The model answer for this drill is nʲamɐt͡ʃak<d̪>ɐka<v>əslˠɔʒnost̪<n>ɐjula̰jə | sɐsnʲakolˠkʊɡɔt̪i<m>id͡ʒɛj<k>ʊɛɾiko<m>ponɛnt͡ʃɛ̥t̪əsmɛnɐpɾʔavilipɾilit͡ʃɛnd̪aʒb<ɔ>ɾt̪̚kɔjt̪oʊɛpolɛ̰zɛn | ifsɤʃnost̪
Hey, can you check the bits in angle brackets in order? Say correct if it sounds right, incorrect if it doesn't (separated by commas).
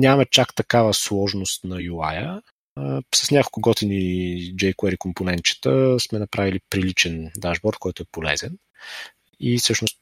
incorrect, correct, correct, incorrect, correct, correct, correct